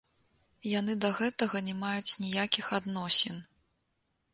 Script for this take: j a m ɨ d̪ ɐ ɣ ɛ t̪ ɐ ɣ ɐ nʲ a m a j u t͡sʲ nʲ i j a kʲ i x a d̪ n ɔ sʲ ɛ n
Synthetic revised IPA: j a n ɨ d̪ ɐ ɣ ɛ t̪ ɐ ɣ ɐ nʲ ɛ m a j u t͡sʲ nʲ i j a kʲ i x a d̪ n ɔ sʲ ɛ n